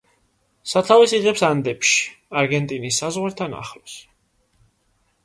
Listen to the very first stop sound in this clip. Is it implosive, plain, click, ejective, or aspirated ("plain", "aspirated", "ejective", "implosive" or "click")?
aspirated